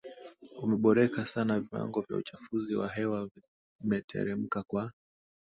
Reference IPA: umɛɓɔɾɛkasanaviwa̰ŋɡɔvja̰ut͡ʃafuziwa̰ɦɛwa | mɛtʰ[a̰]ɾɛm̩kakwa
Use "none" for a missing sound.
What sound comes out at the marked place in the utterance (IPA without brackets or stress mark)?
ɛ̰